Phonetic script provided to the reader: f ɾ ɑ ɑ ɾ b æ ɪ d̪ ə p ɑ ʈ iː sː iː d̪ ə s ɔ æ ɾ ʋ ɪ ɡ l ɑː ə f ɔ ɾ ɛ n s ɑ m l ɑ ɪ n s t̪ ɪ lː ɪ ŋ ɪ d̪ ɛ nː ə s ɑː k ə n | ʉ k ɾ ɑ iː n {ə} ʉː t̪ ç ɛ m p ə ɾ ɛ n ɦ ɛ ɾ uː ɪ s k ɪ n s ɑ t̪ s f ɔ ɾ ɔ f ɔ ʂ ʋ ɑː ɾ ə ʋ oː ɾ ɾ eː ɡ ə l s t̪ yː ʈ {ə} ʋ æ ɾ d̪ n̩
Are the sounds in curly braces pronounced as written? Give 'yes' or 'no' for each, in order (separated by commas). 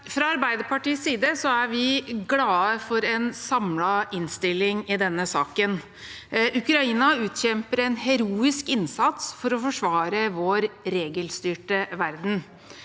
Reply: no, yes